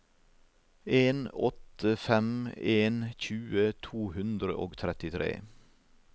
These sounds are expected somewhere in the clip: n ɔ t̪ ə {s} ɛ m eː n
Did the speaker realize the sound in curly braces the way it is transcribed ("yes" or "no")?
no